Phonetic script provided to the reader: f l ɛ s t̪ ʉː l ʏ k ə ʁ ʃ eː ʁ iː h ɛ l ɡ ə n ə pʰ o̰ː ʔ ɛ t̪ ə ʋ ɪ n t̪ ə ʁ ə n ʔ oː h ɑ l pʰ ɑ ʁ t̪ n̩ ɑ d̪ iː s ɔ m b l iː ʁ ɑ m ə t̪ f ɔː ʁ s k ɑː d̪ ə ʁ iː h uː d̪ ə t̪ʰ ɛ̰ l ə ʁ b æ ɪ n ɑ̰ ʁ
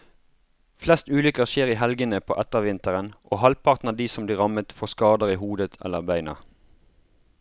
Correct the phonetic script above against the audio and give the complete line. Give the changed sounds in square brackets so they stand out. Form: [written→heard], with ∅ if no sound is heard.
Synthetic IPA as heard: f l ɛ s t̪ ʉː l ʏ k ə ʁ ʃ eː ʁ iː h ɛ l ɡ ə n ə pʰ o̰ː ʔ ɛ t̪ ə ʋ ɪ n t̪ ə ʁ ə n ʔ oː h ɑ l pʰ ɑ ʁ t̪ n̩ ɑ d̪ iː s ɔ m b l iː ʁ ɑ m ə t̪ f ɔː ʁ s k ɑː d̪ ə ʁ iː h uː d̪ ə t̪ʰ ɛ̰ l ə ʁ b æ ɪ n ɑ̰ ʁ